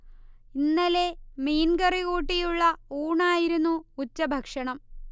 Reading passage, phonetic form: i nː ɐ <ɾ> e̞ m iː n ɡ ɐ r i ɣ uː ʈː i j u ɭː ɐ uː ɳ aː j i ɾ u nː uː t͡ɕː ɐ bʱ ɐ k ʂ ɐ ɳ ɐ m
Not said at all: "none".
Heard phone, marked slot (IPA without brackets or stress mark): l